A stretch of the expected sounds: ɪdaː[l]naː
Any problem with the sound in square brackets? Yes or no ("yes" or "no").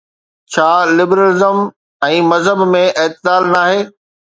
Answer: no